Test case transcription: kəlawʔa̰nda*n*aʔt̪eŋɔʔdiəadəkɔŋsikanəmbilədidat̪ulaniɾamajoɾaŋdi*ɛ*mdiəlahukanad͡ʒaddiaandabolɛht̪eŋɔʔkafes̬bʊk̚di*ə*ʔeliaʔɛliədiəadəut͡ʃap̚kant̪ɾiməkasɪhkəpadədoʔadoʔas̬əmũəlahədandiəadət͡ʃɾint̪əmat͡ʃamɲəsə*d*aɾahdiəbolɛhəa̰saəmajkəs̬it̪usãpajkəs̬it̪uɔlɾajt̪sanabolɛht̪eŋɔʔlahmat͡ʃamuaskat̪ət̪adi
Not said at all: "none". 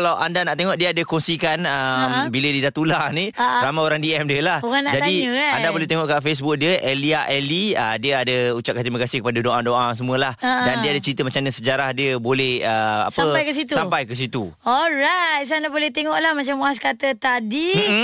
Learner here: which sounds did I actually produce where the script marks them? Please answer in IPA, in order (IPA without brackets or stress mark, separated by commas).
n, ɛ, ə, d͡ʒ